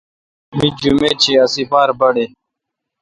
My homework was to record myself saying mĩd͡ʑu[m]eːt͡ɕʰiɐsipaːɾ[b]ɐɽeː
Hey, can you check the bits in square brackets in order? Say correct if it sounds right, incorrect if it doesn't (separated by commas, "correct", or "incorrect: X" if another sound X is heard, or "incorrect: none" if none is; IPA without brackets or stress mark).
correct, correct